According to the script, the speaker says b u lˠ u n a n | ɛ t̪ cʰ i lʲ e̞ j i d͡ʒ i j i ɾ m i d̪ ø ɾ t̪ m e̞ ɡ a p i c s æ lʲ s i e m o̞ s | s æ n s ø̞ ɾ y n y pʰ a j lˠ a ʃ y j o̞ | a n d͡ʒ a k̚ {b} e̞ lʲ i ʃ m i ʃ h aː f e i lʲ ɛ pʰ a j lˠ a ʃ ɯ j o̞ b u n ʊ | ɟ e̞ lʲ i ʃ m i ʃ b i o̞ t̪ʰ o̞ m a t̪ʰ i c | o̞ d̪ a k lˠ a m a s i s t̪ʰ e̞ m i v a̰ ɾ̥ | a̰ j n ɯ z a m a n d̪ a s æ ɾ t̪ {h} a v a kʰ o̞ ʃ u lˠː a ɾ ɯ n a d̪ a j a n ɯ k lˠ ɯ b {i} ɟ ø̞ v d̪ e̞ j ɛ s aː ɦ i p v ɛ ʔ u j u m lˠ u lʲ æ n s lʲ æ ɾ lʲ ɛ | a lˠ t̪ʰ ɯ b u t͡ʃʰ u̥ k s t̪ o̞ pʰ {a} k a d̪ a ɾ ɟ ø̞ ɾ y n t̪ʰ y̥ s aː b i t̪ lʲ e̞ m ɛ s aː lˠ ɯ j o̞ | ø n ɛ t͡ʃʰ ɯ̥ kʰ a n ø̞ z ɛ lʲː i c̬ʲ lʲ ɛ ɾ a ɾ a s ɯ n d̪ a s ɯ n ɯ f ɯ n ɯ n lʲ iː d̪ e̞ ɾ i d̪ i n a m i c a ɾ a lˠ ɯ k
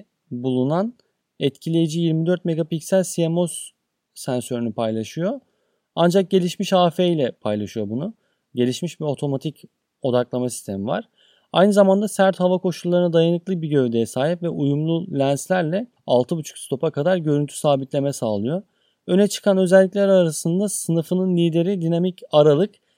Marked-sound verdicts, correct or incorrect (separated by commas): incorrect, correct, correct, correct